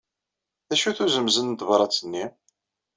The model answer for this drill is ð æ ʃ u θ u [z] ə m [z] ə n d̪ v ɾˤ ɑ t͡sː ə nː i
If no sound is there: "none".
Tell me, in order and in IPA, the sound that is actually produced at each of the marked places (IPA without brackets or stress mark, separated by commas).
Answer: z, z